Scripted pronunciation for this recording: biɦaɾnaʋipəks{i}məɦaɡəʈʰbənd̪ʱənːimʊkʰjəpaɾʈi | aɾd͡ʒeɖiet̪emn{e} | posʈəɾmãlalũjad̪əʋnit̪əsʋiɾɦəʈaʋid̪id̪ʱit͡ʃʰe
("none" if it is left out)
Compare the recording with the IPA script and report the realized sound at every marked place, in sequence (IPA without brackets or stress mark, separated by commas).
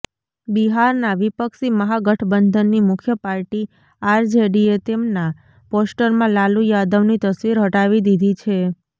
i, a